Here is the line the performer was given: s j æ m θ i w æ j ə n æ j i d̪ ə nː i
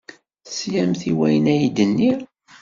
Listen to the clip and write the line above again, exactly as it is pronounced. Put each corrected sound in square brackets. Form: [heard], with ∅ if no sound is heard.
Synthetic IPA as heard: s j æ m θ i w æ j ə n æ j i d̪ ə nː i